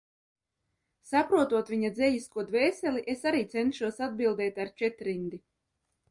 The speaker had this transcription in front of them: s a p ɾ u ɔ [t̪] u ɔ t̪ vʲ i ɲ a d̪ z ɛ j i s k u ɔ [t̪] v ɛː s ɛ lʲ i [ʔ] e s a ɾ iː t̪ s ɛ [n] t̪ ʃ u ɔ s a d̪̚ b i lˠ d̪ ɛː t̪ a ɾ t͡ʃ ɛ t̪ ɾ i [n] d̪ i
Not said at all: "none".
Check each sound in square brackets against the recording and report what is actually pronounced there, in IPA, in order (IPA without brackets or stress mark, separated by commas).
t̪, d̪, ʔ, n, n